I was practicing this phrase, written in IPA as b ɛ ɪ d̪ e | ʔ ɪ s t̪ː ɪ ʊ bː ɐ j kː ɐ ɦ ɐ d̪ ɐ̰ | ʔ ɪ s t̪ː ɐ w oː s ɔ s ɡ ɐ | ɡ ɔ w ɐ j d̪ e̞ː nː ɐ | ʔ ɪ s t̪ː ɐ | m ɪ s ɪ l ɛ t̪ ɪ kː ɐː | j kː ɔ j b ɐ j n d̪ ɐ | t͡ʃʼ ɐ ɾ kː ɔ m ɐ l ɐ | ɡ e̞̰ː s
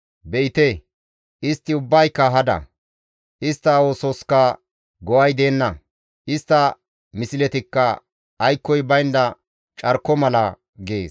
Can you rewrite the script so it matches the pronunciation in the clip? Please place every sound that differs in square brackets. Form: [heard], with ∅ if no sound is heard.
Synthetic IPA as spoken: b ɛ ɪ [t̪] e | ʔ ɪ s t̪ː ɪ ʊ bː ɐ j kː ɐ ɦ ɐ d̪ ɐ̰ | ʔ ɪ s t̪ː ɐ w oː s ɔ s [k] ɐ | ɡ ɔ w ɐ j d̪ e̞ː nː ɐ | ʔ ɪ s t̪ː ɐ | m ɪ s ɪ l ɛ t̪ ɪ kː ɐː | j kː ɔ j b ɐ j n d̪ ɐ | t͡ʃʼ ɐ ɾ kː ɔ m ɐ l ɐ | ɡ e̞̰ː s